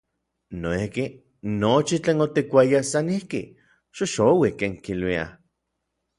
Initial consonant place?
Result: alveolar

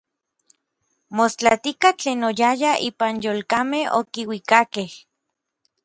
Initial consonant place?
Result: labial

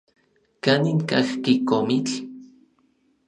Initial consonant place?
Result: velar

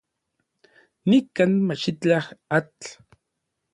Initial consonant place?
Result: alveolar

